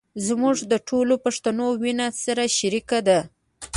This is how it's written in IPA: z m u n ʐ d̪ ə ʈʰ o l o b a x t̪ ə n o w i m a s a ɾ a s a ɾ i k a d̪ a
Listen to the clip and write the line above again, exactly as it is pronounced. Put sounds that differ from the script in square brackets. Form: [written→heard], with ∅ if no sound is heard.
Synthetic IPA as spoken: z m u [n→∅] ʐ d̪ ə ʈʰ o l o [b→p] a [x→ʂ] t̪ [ə→a] n o w i [m→n] a s a ɾ a [s→ʃ] a ɾ i k a d̪ a